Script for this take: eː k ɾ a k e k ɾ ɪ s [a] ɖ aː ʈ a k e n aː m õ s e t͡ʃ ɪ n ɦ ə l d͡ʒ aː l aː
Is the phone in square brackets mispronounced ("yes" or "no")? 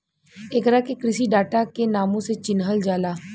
yes